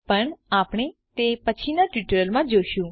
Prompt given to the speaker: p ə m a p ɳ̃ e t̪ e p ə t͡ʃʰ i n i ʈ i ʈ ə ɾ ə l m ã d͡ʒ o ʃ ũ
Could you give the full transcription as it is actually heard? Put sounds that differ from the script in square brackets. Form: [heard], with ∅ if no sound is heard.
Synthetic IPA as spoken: p ə [ɳ] a p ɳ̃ e t̪ e p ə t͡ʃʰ i n [a] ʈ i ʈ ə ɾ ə l m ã d͡ʒ o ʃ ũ